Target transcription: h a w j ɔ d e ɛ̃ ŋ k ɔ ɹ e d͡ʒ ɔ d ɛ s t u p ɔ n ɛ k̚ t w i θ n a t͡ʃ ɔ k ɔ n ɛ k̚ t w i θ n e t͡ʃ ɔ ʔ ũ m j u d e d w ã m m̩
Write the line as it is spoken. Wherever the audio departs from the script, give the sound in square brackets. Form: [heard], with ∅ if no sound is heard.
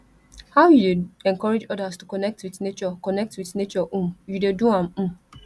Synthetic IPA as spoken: h a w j [u] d e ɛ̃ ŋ k ɔ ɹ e d͡ʒ ɔ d [a] s t u [k] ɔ n ɛ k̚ t w i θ n [e] t͡ʃ ɔ k ɔ n ɛ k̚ t w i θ n e t͡ʃ ɔ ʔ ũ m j u d e d [u] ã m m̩